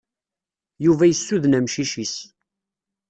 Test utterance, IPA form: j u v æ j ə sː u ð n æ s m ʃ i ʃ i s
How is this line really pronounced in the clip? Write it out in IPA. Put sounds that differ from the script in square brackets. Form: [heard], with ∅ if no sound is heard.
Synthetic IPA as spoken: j u v æ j ə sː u ð n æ [∅] m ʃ i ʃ i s